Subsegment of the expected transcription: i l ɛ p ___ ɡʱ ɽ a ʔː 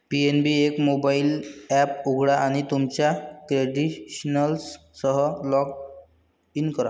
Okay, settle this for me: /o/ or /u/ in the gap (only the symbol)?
u